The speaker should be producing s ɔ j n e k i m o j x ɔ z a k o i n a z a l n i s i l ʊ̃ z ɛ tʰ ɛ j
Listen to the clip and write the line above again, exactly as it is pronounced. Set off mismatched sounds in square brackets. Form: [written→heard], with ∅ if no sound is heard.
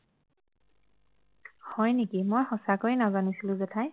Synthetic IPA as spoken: [s→h] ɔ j n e k i m o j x ɔ [z→s] a k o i n a z a [l→∅] n i s i l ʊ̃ z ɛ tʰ [ɛ→a] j